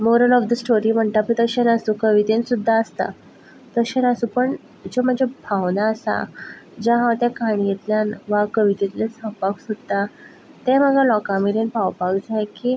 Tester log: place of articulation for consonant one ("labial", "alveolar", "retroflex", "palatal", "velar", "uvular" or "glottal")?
labial